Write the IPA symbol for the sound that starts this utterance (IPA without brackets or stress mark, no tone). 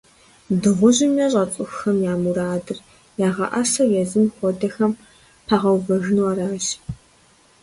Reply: d